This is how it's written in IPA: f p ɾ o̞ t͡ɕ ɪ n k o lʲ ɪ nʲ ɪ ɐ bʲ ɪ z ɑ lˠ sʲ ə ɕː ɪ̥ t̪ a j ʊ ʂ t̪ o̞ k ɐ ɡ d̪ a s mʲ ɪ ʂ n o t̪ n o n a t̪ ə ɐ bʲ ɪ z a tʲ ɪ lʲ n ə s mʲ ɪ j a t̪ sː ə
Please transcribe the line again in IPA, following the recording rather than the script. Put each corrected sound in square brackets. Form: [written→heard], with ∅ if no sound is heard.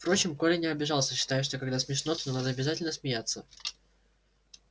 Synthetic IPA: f p ɾ o̞ t͡ɕ ɪ [n→m] k o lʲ ɪ nʲ ɪ ɐ bʲ ɪ [z→ʐ] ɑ lˠ sʲ ə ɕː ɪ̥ t̪ a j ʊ ʂ t̪ o̞ k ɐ ɡ d̪ a s mʲ ɪ ʂ n o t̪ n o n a [t̪→d̪] ə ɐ bʲ ɪ z a tʲ ɪ lʲ n ə s mʲ ɪ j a t̪ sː ə

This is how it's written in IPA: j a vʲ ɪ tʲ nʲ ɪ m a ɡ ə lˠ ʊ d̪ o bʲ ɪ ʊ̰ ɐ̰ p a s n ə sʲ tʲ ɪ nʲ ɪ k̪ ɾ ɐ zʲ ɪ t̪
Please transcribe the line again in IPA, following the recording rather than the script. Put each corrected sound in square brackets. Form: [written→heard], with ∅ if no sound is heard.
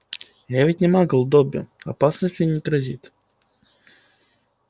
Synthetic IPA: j a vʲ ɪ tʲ nʲ ɪ m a ɡ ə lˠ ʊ d̪ o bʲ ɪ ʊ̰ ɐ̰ p a s n ə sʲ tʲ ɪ nʲ ɪ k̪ ɾ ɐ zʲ [ɪ→i] t̪

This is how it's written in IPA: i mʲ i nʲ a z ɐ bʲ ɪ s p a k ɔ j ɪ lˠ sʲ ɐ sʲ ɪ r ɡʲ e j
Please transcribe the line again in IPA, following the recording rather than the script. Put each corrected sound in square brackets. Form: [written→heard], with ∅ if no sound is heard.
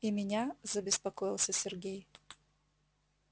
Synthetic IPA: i mʲ [i→ɪ] nʲ a z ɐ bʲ ɪ s p [a→ɐ] k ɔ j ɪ lˠ sʲ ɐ sʲ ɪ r ɡʲ e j

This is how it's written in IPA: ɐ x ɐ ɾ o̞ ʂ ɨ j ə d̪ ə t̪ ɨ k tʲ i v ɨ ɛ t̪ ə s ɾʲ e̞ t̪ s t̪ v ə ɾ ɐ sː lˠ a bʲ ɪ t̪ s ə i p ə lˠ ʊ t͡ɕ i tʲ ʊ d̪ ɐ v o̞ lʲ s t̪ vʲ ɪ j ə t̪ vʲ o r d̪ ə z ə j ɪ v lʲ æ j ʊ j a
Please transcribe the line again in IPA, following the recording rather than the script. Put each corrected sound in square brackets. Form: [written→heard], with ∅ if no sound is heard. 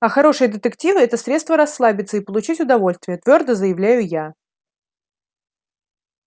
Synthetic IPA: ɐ x ɐ ɾ o̞ ʂ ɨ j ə d̪ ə t̪ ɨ k tʲ i v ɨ ɛ t̪ ə s ɾʲ e̞ t̪ s t̪ v ə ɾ ɐ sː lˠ a bʲ ɪ t̪ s ə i p ə lˠ ʊ t͡ɕ i tʲ ʊ d̪ ɐ v o̞ lʲ s t̪ vʲ ɪ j ə t̪ vʲ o r d̪ ə z ə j ɪ v lʲ æ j ʊ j a

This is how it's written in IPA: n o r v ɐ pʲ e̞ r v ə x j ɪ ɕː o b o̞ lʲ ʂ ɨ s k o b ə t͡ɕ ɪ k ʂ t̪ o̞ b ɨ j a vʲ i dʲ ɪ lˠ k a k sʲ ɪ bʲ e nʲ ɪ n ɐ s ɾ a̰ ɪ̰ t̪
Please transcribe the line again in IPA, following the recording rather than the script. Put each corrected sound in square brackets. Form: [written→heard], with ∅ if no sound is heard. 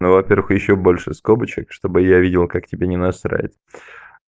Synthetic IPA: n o [r→∅] v ɐ pʲ e̞ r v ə x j ɪ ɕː o b o̞ lʲ ʂ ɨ s k o b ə t͡ɕ ɪ k ʂ t̪ o̞ b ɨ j a vʲ i dʲ ɪ lˠ k a k [sʲ→tʲ] ɪ bʲ e nʲ ɪ n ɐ s ɾ a̰ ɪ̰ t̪

